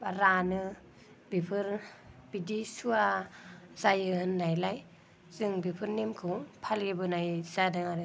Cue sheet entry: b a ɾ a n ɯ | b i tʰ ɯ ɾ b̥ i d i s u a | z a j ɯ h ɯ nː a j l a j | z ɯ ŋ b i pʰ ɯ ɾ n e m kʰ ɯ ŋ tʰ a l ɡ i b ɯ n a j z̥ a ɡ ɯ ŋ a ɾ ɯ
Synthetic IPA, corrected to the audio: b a ɾ a n ɯ | b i pʰ ɯ ɾ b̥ i d i s u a | z a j ɯ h ɯ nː a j l a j | z ɯ ŋ b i pʰ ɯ ɾ n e m kʰ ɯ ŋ pʰ a l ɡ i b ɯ n a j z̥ a d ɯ ŋ a ɾ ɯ

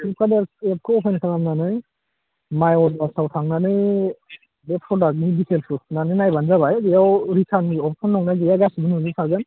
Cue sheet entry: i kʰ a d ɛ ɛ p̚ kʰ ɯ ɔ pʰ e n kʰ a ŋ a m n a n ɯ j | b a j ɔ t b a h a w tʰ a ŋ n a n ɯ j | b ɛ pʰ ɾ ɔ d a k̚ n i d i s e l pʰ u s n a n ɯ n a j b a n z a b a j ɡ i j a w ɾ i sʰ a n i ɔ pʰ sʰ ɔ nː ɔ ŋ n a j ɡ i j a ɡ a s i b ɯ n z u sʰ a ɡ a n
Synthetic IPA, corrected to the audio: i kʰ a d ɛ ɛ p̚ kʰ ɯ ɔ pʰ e n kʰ a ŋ a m n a n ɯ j | m a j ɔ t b a s a w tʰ a ŋ n a n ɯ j | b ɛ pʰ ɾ ɔ d a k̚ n i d i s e l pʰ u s n a n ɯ n a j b a n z a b a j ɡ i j a w ɾ i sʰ a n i ɔ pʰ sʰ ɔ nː ɔ ŋ n a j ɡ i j a ɡ a s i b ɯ n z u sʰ a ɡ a n

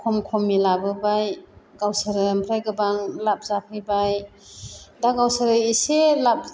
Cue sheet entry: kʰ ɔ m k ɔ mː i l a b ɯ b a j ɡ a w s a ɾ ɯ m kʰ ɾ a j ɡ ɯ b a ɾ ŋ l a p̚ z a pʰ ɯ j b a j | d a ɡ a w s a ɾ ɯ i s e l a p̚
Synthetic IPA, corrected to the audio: kʰ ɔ m kʰ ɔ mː i l a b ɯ b a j ɡ a w s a ɾ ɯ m pʰ ɾ a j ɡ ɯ b a ŋ l a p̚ z a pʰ ɯ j b a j | d a ɡ a w s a ɾ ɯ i s e l a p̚

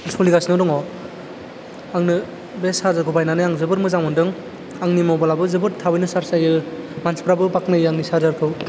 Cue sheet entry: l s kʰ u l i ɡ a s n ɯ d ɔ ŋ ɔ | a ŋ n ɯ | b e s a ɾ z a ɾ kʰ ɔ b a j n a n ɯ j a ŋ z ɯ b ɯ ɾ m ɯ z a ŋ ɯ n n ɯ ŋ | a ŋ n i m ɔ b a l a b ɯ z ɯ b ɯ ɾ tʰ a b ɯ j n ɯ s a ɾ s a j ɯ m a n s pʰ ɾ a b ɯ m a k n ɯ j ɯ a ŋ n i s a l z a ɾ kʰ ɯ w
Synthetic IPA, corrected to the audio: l s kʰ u l i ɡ a s n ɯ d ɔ ŋ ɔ | a ŋ n ɯ | b e s a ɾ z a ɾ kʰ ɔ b a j n a n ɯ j a ŋ z ɯ b ɯ ɾ m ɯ z a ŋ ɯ n d ɯ ŋ | a ŋ n i m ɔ b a l a b ɯ z ɯ b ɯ ɾ tʰ a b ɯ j n ɯ s a ɾ s a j ɯ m a n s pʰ ɾ a b ɯ b a k n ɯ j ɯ a ŋ n i s a ɾ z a ɾ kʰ ɯ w

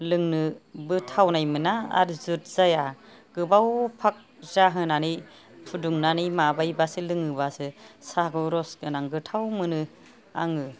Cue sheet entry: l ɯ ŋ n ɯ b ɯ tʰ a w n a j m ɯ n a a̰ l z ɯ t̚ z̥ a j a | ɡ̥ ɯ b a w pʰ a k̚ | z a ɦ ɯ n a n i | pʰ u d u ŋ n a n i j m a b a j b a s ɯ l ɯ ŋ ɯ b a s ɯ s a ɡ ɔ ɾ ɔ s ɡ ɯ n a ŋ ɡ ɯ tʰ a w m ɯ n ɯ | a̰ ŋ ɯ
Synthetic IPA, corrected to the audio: l ɯ ŋ n ɯ b ɯ tʰ a w n a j m ɯ n a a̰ ɾ z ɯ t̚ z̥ a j a | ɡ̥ ɯ b a w pʰ a k̚ | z a ɦ ɯ n a n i | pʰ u d u ŋ n a n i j m a b a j b a s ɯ l ɯ ŋ ɯ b a s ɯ s a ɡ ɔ ɾ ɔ s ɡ ɯ n a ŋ ɡ ɯ tʰ a w m ɯ n ɯ | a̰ ŋ ɯ

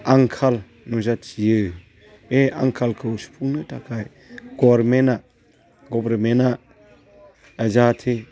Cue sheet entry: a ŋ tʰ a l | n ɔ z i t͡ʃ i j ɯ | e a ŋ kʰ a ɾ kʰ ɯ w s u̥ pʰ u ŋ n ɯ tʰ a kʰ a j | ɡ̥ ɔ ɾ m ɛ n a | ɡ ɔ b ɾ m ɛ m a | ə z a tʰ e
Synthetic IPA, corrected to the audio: a ŋ kʰ a l | n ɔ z a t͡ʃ i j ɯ | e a ŋ kʰ a l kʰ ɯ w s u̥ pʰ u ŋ n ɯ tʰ a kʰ a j | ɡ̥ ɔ ɾ m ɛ n a | ɡ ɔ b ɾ m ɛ n a | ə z a tʰ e

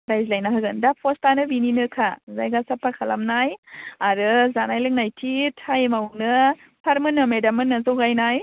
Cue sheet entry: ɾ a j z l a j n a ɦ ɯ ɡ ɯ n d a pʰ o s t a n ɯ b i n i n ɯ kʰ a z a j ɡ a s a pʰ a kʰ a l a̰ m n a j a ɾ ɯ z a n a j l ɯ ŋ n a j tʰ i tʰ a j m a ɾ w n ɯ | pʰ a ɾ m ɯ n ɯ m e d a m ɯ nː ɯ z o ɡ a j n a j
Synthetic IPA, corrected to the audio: ɾ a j z l a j n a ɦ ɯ ɡ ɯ n d a pʰ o s t a n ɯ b i n i n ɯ kʰ a z a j ɡ a s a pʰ a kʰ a l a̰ m n a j a ɾ ɯ z a n a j l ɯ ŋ n a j tʰ i tʰ a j m a w n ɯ | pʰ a ɾ m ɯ n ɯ m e d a m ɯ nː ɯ z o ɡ a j n a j

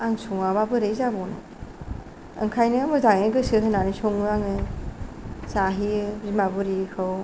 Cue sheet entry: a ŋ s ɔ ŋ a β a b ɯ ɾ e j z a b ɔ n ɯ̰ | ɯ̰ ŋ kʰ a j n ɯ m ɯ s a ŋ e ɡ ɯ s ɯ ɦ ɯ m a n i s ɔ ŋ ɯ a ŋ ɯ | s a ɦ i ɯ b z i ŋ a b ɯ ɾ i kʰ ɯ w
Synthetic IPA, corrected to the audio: a ŋ s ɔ ŋ a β a b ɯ ɾ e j z a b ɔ n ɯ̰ | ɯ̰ ŋ kʰ a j n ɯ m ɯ z a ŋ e ɡ ɯ s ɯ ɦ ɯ n a n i s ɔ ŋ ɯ a ŋ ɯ | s a ɦ i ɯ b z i m a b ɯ ɾ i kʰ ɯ w

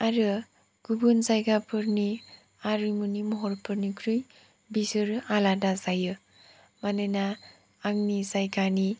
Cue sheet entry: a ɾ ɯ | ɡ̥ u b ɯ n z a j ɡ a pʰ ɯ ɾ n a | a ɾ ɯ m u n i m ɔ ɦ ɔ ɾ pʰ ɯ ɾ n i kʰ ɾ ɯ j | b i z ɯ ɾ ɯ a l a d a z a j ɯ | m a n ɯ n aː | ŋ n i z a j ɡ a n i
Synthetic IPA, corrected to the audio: a ɾ ɯ | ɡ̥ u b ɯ n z a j ɡ a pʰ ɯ ɾ n i | a ɾ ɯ m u n i m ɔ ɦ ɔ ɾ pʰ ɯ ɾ n i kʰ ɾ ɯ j | b i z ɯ ɾ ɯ a l a d a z a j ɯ | m a n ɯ n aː | ŋ n i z a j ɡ a n i

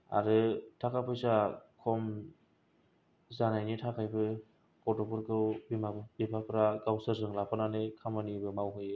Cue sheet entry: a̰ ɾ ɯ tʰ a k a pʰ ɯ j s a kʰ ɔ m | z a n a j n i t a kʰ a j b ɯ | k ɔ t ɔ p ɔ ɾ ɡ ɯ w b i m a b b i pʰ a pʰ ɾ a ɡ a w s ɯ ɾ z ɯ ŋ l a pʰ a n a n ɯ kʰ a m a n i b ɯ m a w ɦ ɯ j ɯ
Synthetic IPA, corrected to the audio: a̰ ɾ ɯ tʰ a k a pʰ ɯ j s a kʰ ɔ m | z a n a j n i tʰ a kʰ a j b ɯ | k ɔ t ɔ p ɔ ɾ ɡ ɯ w b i m a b b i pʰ a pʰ ɾ a ɡ a w s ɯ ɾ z ɯ ŋ l a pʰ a n a n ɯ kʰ a m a n i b ɯ m a w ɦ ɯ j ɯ

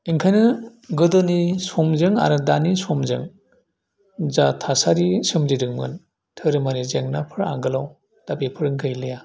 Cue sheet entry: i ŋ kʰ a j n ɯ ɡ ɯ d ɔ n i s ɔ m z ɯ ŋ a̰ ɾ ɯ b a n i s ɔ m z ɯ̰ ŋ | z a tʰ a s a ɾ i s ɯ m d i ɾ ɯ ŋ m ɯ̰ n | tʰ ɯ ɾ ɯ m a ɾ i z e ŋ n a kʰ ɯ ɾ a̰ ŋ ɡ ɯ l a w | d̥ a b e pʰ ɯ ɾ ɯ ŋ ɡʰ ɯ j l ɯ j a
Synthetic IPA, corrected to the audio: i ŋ kʰ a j n ɯ ɡ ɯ d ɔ n i s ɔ m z ɯ ŋ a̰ ɾ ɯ d a n i s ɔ m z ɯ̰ ŋ | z a tʰ a s a ɾ i s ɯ m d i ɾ ɯ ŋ m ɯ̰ n | tʰ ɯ ɾ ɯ m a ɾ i z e ŋ n a pʰ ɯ ɾ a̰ ŋ ɡ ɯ l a w | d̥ a b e pʰ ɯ ɾ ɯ ŋ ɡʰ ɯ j l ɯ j a

